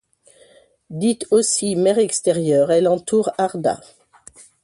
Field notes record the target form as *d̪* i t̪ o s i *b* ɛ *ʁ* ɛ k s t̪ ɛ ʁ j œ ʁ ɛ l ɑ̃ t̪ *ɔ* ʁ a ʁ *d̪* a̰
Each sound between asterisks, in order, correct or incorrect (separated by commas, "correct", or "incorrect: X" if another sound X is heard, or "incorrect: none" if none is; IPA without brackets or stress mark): correct, incorrect: m, correct, incorrect: u, correct